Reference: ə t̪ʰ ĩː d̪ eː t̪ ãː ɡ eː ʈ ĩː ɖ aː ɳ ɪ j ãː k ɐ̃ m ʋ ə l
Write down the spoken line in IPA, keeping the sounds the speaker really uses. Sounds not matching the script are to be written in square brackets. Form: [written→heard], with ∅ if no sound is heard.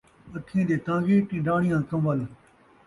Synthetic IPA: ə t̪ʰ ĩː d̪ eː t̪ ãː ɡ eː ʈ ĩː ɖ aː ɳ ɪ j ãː k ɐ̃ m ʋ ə l